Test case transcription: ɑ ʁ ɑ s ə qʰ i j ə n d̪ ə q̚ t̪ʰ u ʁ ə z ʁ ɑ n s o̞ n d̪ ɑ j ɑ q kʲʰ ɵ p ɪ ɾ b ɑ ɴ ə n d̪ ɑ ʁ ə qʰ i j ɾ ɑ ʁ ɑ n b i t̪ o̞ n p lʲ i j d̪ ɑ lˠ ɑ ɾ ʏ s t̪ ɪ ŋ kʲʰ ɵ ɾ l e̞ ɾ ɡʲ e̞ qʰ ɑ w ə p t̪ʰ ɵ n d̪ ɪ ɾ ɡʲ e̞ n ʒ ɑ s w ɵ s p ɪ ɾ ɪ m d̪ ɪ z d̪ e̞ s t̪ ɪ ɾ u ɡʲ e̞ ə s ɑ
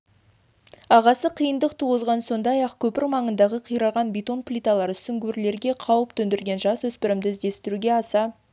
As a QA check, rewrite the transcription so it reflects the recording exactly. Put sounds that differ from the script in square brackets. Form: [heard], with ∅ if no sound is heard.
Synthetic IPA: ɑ ʁ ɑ s ə qʰ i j ə n d̪ ə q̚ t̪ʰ u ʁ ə z ʁ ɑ n s o̞ n d̪ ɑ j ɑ q kʲʰ ɵ p ɪ ɾ [m] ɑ ɴ ə n d̪ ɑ ʁ ə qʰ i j ɾ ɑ ʁ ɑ n b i t̪ o̞ n p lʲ i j [t̪] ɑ lˠ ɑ ɾ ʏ s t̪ ɪ ŋ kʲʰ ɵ ɾ l e̞ ɾ ɡʲ e̞ qʰ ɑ w ə p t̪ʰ ɵ n d̪ ɪ ɾ ɡʲ e̞ n ʒ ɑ s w ɵ s p ɪ ɾ ɪ m d̪ ɪ z d̪ e̞ s t̪ ɪ ɾ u ɡʲ e̞ [ɑ] s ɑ